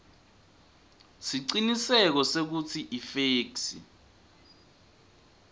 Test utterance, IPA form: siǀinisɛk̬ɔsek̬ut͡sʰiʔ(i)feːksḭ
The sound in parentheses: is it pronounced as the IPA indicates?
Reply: yes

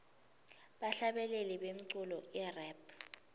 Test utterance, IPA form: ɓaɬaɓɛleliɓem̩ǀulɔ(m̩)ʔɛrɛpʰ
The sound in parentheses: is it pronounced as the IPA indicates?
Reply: no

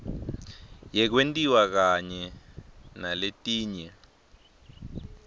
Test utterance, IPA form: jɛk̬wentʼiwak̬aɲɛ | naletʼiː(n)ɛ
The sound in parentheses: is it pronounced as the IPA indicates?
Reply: no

